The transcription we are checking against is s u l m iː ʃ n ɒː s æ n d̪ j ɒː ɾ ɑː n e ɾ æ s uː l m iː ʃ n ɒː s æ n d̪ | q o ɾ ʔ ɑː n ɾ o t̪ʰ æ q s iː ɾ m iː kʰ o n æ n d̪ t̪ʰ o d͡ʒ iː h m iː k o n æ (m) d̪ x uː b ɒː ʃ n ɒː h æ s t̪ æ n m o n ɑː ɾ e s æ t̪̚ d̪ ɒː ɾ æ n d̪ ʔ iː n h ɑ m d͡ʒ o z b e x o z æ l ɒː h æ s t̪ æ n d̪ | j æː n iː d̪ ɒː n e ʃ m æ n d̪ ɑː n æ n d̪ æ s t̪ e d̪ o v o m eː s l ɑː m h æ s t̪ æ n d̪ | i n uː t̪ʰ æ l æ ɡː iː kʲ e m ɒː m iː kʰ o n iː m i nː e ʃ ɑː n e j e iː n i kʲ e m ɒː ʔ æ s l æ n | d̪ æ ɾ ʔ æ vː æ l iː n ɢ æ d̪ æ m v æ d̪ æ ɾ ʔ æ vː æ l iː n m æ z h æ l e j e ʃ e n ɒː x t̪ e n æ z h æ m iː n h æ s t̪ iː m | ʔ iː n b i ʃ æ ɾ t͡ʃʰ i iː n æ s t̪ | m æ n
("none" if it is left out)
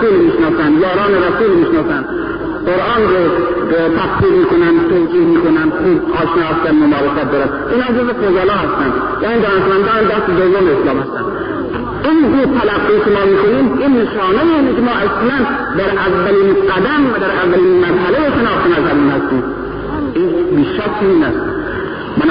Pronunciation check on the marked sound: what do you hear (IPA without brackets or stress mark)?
n